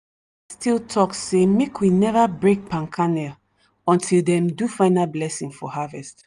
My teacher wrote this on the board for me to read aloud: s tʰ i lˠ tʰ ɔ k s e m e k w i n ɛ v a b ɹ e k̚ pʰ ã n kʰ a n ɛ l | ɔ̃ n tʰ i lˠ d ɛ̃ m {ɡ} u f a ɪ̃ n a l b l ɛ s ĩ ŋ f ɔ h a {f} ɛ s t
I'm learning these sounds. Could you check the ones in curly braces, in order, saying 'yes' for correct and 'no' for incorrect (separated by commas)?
no, no